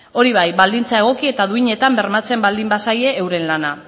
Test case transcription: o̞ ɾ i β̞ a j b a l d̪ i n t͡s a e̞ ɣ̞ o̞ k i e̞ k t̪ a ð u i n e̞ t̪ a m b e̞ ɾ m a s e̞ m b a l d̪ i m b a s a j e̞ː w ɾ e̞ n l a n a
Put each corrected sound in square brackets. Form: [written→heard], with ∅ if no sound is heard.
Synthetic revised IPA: o̞ ɾ i β̞ a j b a l d̪ i n t͡s a e̞ ɣ̞ o̞ k i e̞ [k→∅] t̪ a ð u i [n→ɲ] e̞ t̪ a m b e̞ ɾ m a [s→t͡s] e̞ m b a l d̪ i m b a s a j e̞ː w ɾ e̞ n l a n a